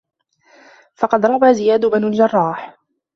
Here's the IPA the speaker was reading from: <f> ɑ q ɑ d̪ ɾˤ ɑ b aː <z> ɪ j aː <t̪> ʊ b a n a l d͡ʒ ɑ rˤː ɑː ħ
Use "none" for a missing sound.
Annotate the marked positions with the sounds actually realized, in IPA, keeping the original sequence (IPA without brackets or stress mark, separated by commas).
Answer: f, z, d̪